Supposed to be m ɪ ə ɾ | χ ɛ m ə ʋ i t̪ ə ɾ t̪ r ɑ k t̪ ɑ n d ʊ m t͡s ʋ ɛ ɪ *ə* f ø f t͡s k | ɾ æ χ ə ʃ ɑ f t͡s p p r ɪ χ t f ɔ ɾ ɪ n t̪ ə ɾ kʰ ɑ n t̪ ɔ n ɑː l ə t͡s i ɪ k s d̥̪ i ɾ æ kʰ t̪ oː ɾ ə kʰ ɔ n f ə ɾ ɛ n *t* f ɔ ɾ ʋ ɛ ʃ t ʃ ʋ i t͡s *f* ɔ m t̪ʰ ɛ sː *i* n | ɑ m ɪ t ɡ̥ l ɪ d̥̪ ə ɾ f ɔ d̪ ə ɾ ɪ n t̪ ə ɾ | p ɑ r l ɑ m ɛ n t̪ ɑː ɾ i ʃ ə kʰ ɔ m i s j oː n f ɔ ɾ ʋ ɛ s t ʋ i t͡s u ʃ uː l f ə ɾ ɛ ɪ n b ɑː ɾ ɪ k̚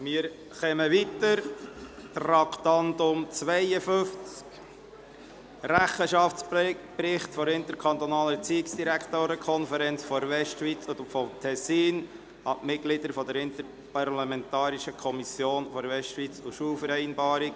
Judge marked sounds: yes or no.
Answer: yes, no, yes, no

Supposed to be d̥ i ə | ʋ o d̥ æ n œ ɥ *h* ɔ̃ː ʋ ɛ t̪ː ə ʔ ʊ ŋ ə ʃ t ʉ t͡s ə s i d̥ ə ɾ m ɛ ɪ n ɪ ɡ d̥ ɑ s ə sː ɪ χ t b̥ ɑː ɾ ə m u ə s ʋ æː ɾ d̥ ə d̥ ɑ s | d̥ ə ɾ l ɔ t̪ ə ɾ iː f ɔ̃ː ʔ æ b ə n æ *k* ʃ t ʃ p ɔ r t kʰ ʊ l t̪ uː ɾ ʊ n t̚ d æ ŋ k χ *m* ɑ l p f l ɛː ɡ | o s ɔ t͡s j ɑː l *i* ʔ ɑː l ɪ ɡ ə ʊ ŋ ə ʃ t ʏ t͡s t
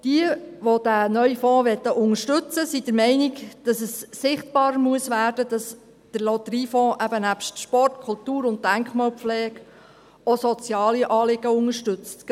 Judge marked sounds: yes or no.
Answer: no, no, yes, yes

